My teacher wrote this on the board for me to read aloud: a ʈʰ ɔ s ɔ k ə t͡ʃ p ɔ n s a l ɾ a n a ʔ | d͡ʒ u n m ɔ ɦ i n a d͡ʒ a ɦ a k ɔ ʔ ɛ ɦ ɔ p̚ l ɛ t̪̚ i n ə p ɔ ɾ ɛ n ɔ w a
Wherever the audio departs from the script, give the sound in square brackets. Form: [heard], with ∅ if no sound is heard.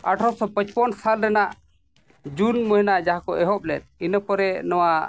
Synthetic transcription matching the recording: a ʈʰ ɔ s ɔ [p] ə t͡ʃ p ɔ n s a l ɾ [ɛ] n a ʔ | d͡ʒ u n m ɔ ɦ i n a d͡ʒ a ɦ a k ɔ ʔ ɛ ɦ ɔ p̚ l ɛ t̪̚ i n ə p ɔ ɾ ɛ n ɔ w a